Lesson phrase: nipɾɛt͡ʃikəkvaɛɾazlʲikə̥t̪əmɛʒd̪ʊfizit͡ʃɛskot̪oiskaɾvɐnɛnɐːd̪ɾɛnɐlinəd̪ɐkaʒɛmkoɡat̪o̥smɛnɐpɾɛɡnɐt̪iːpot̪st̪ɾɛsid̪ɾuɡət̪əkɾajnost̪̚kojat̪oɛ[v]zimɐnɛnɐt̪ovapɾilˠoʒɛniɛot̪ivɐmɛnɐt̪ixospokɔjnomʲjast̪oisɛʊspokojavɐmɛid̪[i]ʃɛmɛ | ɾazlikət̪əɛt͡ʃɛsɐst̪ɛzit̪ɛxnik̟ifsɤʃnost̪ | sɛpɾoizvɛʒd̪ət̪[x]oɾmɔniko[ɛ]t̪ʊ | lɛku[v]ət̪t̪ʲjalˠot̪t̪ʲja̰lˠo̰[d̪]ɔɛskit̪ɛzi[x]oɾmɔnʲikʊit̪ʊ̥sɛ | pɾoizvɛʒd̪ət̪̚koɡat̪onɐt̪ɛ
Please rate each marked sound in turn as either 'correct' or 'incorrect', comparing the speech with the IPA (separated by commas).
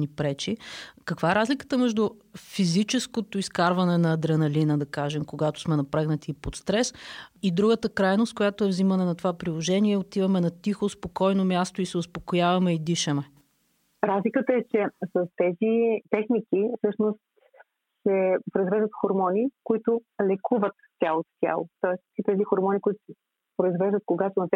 correct, correct, correct, incorrect, correct, incorrect, correct